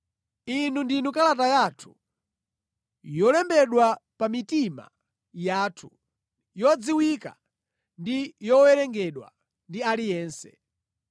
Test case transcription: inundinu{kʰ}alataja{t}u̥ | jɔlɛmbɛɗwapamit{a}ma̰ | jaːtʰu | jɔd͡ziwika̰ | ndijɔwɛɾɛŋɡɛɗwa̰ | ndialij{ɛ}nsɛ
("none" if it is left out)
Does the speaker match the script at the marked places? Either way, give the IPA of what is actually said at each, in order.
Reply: k, tʰ, i, ɛː

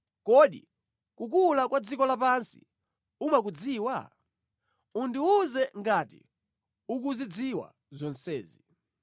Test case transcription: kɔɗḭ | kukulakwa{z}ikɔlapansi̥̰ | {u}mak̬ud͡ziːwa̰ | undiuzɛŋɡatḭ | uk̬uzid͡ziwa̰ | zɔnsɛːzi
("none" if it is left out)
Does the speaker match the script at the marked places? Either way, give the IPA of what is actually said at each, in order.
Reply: d͡z, u

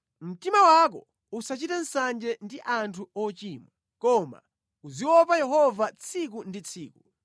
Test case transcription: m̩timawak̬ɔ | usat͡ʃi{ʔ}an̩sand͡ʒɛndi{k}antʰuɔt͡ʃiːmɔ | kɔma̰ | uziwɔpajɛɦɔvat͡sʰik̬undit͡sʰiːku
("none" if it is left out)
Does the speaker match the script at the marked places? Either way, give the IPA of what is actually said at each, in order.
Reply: t, ʔ

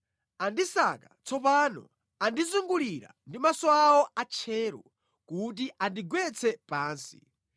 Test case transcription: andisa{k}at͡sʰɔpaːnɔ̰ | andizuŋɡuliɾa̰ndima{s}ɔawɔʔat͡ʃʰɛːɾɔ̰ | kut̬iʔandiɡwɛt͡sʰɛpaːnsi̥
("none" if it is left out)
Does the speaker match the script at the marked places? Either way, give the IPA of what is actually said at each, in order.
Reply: k, s

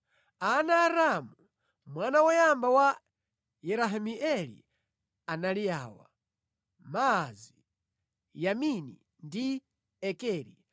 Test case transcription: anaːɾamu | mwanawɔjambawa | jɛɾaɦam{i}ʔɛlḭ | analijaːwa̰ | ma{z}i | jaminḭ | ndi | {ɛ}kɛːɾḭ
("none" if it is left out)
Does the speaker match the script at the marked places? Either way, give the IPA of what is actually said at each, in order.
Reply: i, z, ɛ

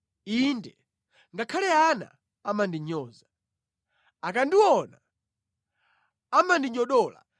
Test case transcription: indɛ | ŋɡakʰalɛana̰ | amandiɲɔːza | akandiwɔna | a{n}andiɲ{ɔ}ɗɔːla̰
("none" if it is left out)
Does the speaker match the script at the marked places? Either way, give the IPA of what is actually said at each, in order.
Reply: m, ɔ

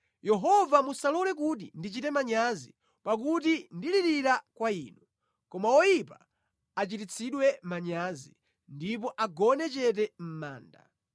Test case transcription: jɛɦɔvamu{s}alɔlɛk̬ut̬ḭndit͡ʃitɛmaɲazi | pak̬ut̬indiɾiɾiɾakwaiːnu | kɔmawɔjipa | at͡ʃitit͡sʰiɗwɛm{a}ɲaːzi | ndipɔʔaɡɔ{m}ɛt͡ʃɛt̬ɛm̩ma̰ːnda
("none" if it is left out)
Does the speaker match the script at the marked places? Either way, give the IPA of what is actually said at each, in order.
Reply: s, a, n

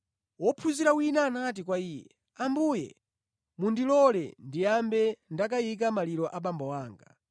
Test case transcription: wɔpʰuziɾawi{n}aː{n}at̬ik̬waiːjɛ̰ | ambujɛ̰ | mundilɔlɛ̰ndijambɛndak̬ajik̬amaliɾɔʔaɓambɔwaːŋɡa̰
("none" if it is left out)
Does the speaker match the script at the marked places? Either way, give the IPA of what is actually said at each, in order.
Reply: n, n

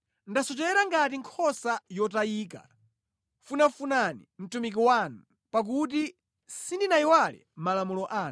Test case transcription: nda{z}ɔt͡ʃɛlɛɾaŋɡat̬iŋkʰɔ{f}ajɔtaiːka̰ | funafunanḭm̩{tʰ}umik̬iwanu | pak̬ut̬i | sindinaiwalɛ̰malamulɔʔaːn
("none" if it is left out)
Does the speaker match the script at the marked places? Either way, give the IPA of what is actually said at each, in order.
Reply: s, s, t

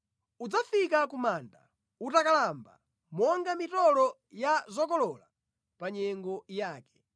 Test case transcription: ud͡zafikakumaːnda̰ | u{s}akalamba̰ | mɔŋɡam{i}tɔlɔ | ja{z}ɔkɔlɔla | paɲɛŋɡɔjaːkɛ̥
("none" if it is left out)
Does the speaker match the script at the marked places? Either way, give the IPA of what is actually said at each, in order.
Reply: t, i, z

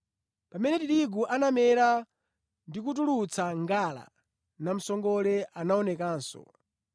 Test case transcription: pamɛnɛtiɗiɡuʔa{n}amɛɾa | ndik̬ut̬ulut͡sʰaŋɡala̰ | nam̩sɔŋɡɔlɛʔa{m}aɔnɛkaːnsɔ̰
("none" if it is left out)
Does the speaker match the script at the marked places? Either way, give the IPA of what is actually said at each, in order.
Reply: n, n

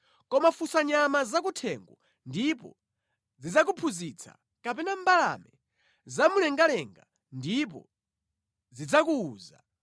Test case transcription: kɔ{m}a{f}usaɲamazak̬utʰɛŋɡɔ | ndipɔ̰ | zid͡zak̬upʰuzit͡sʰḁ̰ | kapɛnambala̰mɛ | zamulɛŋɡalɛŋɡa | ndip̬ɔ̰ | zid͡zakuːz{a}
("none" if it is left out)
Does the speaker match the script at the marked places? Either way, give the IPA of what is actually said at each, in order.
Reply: m, f, a

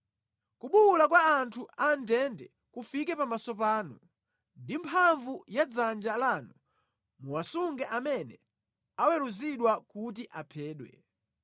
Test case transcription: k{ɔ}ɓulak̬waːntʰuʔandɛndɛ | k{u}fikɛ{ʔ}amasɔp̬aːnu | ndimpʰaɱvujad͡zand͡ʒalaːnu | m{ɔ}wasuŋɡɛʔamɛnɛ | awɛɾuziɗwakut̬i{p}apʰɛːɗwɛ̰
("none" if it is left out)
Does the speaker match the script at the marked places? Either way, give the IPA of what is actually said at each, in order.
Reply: u, u, p, u, ʔ

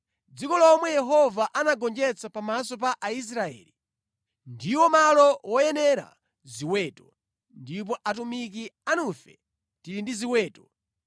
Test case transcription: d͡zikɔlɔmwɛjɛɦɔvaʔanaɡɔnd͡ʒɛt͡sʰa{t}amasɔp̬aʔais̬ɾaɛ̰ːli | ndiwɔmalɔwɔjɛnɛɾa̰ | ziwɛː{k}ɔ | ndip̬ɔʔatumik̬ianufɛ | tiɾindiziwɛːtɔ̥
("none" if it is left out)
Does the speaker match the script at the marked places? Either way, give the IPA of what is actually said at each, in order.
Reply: p, t

